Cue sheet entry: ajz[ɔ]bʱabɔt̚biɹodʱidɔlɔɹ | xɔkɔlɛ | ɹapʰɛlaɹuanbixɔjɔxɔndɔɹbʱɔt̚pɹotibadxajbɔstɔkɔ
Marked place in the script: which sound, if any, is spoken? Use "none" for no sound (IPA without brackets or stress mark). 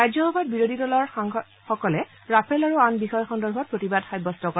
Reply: ɔ